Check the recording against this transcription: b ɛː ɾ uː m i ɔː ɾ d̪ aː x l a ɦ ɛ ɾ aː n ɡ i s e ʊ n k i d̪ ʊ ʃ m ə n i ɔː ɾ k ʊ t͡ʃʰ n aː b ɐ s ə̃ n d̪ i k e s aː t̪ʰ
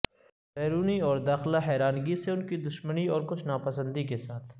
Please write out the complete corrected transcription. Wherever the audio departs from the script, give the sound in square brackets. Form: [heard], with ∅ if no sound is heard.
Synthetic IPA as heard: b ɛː ɾ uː [n] i ɔː ɾ d̪ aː x l a ɦ [ɛː] ɾ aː n ɡ i s e ʊ n k i d̪ ʊ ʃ m ə n i ɔː ɾ k ʊ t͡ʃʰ n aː [p] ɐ s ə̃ n d̪ i k e s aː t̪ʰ

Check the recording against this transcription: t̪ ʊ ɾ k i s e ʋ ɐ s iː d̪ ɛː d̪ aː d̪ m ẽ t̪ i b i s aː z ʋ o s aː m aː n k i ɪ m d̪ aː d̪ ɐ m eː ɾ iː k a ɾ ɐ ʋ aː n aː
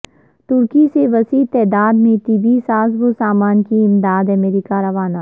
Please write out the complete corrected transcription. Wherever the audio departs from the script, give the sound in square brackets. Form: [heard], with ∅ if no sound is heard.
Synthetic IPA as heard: t̪ ʊ ɾ k i s e ʋ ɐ s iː [t̪] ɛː d̪ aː d̪ m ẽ t̪ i b i s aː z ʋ o s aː m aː n k i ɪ m d̪ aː d̪ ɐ m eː ɾ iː k a ɾ ɐ ʋ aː n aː

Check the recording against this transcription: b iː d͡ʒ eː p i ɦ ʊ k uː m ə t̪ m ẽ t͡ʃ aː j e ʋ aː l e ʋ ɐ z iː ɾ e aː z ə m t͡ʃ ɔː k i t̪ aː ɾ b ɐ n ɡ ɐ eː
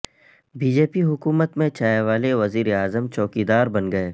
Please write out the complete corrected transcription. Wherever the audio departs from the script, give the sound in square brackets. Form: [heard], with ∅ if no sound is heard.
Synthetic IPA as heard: b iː d͡ʒ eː p i ɦ ʊ k uː m ə t̪ m ẽ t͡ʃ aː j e ʋ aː l e ʋ ɐ z iː ɾ e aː z ə m t͡ʃ ɔː k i [d̪] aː ɾ b ɐ n ɡ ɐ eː

